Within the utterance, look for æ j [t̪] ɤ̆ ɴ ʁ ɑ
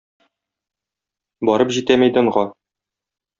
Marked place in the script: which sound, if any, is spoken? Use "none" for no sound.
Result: d̪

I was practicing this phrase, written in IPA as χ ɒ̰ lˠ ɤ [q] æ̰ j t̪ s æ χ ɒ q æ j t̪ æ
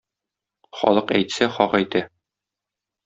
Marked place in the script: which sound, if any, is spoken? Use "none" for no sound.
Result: q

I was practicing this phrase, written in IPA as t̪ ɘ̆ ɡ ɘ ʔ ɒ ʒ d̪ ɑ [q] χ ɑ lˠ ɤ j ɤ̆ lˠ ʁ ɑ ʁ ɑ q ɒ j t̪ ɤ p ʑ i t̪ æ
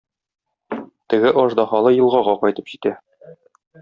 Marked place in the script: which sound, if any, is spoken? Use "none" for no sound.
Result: none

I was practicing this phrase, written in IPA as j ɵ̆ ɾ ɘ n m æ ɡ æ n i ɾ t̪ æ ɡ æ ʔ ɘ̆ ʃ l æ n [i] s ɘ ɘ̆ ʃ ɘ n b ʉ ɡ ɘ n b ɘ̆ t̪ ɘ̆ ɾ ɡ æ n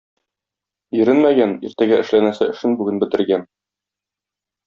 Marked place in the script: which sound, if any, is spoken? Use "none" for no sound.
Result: æ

